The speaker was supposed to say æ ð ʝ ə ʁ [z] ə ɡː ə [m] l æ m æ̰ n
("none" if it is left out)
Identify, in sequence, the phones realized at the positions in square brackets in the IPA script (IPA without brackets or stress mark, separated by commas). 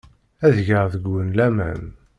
ð, n